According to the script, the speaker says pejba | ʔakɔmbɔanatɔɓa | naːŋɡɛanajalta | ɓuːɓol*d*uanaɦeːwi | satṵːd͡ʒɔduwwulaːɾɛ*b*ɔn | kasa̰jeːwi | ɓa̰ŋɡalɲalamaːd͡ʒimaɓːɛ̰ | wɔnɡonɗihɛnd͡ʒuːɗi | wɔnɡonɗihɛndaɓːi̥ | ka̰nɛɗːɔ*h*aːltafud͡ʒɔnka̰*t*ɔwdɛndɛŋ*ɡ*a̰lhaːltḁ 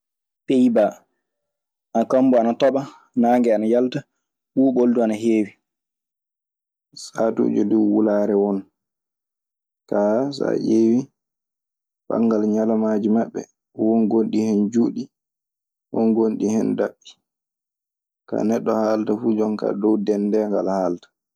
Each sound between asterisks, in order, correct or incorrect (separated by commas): correct, incorrect, correct, incorrect, correct